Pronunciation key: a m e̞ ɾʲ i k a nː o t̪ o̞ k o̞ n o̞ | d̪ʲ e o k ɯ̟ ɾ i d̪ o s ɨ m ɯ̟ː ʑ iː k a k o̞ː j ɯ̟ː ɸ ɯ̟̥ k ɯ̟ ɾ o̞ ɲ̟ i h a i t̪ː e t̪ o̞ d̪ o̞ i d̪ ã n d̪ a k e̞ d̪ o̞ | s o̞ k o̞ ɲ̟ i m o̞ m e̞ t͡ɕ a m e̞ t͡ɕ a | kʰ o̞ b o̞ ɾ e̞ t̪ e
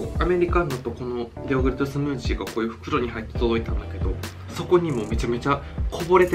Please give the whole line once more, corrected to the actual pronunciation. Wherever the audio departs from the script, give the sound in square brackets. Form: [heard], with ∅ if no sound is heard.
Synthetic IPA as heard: a m e̞ ɾʲ i k a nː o t̪ o̞ k o̞ n o̞ | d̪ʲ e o [ɡ] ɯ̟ ɾ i [t̪] o s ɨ m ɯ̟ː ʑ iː [ɡ] a k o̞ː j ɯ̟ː ɸ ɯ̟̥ k ɯ̟ ɾ o̞ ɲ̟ i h a i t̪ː e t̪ o̞ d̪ o̞ i [t̪] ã n d̪ a k e̞ d̪ o̞ | s o̞ k o̞ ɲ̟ i m o̞ m e̞ t͡ɕ a m e̞ t͡ɕ a | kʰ o̞ b o̞ ɾ e̞ t̪ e